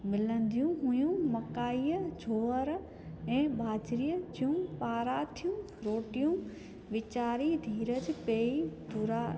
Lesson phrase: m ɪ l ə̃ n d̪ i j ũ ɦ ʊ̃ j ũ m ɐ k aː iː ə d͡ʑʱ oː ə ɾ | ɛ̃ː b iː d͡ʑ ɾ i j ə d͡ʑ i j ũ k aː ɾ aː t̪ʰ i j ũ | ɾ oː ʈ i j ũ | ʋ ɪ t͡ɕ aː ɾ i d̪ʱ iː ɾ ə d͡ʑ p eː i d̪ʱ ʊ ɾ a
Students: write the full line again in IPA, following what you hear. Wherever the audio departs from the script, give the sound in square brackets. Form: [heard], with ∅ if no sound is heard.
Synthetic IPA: m ɪ l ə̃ n d̪ i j ũ ɦ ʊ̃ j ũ m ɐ k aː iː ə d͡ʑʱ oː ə ɾ | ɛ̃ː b [aː] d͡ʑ ɾ i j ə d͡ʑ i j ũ [p] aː ɾ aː t̪ʰ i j ũ | ɾ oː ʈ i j ũ | ʋ ɪ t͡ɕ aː ɾ i d̪ʱ iː ɾ ə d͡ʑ p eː i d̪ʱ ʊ ɾ a